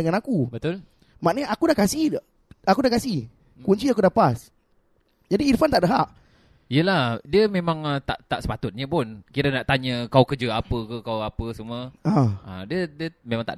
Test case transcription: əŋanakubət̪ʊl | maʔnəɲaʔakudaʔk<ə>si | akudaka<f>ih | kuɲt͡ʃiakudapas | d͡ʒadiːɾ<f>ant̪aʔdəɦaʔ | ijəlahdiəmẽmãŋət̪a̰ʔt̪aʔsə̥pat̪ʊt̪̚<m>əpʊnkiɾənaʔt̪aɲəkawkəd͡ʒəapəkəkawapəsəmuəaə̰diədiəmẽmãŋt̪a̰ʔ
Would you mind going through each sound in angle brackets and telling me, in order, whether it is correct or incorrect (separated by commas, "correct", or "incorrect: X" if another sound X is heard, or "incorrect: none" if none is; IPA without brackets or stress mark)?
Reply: incorrect: a, incorrect: s, correct, incorrect: ɲ